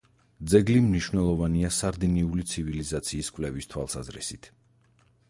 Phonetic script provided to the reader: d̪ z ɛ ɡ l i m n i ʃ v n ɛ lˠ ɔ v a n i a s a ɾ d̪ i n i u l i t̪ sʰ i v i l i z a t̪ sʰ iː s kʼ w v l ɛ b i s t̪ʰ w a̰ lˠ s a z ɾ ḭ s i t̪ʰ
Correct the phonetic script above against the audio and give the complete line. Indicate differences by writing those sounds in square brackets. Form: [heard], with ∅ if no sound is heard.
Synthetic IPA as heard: d̪ z ɛ ɡ l i m n i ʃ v n ɛ lˠ ɔ v a n i a s a ɾ d̪ i n i u l i t̪ sʰ i v i l i z a t̪ sʰ iː s kʼ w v l ɛ [v] i s t̪ʰ w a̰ lˠ s a z ɾ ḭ s i t̪ʰ